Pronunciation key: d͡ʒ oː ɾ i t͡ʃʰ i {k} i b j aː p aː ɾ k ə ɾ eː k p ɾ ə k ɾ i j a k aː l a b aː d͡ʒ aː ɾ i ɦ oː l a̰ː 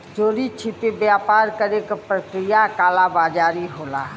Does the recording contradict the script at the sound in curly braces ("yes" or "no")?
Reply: yes